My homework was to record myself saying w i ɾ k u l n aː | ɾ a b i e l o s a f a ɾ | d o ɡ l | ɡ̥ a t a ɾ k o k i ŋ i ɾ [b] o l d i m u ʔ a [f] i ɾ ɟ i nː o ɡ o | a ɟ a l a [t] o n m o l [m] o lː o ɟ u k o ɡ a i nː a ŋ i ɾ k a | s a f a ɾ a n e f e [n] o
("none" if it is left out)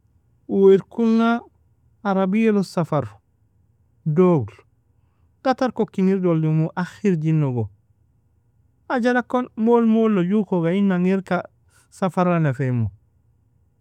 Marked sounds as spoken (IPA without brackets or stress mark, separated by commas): d, x, k, m, m